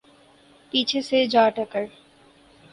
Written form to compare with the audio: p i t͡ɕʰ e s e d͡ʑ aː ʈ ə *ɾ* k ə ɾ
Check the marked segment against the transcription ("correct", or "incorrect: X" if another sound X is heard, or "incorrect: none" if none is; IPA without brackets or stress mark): incorrect: none